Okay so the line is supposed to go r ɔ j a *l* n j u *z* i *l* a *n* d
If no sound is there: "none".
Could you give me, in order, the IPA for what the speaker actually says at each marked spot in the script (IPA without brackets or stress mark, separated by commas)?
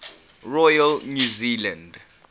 l, z, l, n